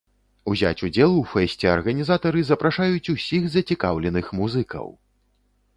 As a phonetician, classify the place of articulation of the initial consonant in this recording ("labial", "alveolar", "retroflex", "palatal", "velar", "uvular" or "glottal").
alveolar